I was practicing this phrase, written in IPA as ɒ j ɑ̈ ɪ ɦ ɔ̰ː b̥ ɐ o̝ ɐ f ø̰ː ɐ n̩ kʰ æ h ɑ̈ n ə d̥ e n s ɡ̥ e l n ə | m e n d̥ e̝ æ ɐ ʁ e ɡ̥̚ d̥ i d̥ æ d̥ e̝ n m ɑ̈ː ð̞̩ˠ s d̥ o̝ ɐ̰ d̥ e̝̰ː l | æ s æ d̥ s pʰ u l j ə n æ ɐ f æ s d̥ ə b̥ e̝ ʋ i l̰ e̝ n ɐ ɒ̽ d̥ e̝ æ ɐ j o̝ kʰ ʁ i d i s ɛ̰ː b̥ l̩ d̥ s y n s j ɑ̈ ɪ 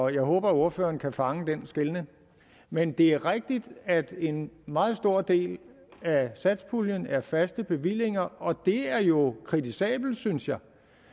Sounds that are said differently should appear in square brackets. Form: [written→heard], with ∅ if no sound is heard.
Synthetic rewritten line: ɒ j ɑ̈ ɪ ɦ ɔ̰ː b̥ ɐ o̝ ɐ f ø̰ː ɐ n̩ kʰ æ [h→f] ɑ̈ [n→ŋ] ə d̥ e n s ɡ̥ e l n ə | m e n d̥ e̝ æ ɐ ʁ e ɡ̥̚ d̥ i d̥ æ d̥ e̝ n m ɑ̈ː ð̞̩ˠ s d̥ o̝ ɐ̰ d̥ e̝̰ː l | æ s æ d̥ s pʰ u l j ə n æ ɐ f æ s d̥ ə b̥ e̝ ʋ i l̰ e̝ [n→ŋ] ɐ ɒ̽ d̥ e̝ æ ɐ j o̝ kʰ ʁ i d i s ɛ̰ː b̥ l̩ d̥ s y n s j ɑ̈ ɪ